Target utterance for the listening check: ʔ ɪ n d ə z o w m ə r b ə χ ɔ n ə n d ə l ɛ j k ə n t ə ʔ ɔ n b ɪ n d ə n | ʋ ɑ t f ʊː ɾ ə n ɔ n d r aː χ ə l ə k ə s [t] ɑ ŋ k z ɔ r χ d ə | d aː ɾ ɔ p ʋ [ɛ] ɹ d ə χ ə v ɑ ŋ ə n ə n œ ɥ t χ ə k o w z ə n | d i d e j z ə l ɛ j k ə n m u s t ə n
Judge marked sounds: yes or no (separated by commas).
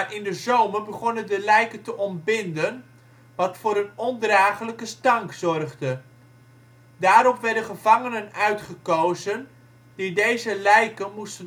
yes, yes